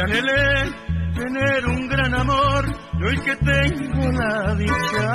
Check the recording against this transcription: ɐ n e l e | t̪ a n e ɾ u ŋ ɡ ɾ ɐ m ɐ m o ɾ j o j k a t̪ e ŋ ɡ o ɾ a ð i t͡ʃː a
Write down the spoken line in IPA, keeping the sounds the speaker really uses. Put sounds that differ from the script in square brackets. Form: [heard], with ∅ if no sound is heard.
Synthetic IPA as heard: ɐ n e l e | t̪ [e] n e ɾ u ŋ ɡ ɾ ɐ [n] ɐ m o ɾ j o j k [e] t̪ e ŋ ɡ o [l] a ð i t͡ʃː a

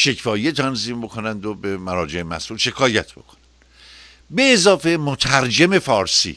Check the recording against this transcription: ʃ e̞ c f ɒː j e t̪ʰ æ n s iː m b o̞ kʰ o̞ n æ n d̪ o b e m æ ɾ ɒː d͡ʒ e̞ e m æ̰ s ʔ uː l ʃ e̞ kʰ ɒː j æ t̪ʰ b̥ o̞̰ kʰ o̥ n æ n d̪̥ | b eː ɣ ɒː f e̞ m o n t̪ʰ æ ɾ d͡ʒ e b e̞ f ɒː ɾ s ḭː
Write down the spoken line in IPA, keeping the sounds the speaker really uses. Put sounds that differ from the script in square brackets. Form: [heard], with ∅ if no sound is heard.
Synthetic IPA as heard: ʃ e̞ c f ɒː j e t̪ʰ æ n [z] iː m b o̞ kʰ o̞ n æ n d̪ o b e m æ ɾ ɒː d͡ʒ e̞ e m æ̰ s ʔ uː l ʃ e̞ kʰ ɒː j æ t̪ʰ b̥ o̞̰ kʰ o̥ n æ n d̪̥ | b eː [z] ɒː f e̞ m o [∅] t̪ʰ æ ɾ d͡ʒ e [m] e̞ f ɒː ɾ s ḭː

